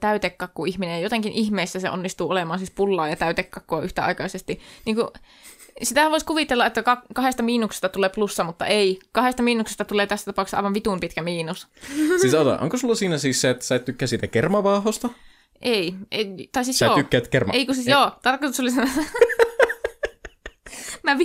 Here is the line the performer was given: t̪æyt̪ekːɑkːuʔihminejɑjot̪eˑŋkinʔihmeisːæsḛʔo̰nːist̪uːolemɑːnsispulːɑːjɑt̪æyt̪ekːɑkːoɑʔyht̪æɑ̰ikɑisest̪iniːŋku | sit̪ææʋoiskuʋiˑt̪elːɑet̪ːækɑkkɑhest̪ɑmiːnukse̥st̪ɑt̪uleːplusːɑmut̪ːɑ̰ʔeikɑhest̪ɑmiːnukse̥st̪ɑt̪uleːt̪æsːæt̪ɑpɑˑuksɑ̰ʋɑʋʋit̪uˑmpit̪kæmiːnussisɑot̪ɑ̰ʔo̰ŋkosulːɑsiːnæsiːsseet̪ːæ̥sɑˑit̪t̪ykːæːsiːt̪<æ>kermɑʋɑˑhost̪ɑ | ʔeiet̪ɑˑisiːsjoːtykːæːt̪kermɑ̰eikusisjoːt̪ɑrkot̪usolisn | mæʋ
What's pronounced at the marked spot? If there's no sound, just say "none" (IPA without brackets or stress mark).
æ